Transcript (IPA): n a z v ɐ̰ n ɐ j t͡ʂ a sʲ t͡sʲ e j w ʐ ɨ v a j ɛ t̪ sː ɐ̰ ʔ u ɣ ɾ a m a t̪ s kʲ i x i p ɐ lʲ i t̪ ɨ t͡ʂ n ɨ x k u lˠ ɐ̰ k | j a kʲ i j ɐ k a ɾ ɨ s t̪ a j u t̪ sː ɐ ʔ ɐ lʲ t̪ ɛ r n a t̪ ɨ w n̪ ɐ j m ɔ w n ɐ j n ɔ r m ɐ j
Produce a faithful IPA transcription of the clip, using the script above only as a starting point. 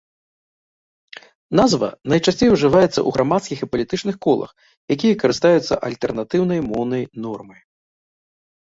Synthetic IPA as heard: n a z v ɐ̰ n ɐ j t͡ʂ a sʲ t͡sʲ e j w ʐ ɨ v a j ɛ t̪ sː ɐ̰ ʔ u ɣ ɾ a m a t̪ s kʲ i x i p ɐ lʲ i t̪ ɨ t͡ʂ n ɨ x k ɔ lˠ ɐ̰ x | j a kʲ i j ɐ k ɐ ɾ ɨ s t̪ a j u t̪ sː ɐ ʔ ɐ lʲ t̪ ɛ r n a t̪ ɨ w n̪ ɐ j m ɔ w n ɐ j n ɔ r m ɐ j